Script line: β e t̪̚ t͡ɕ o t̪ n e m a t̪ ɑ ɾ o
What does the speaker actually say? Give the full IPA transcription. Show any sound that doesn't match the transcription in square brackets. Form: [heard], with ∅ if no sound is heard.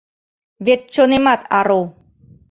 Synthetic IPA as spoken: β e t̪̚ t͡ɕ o [∅] n e m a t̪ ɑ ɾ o